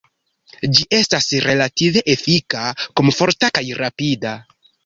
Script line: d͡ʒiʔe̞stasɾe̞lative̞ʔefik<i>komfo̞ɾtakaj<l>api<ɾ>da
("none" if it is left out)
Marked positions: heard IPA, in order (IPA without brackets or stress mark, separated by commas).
a, ɾ, none